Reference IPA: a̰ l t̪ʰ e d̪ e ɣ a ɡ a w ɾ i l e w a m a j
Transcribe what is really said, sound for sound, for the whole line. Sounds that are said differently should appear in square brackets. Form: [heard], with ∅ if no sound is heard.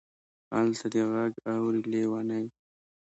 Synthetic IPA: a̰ l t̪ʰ [a] d̪ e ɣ a ɡ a w ɾ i l e w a [n] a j